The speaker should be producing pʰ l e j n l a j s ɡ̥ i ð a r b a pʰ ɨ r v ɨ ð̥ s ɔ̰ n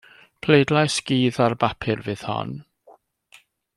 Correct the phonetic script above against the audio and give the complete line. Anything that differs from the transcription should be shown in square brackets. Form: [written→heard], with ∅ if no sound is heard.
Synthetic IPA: pʰ l e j [n→d] l a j s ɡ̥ [i→iː] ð a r b a pʰ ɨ r v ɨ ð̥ [s→h] ɔ̰ n